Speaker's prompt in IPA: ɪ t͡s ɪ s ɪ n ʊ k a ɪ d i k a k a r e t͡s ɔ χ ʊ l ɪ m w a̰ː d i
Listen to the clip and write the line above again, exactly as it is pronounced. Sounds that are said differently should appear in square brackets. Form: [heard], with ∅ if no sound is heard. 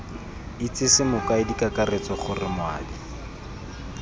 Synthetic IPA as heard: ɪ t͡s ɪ s ɪ [m] ʊ k a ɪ d i k a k a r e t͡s ɔ χ ʊ [r] ɪ m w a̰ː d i